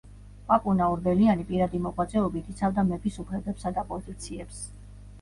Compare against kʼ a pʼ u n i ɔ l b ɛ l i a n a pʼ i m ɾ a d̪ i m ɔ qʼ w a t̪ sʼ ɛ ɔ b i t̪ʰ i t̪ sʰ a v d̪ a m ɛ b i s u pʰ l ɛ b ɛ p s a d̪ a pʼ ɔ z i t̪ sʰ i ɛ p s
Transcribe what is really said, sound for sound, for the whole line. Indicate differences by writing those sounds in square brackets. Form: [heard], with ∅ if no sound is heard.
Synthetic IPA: [pʼ] a pʼ u n [a] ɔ [ɾ] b ɛ l i a n [i] pʼ i [∅] ɾ a d̪ i m ɔ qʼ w a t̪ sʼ ɛ ɔ b i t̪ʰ i t̪ sʰ a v d̪ a m ɛ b i s u pʰ l ɛ b ɛ p s a d̪ a pʼ ɔ z i t̪ sʰ i ɛ p s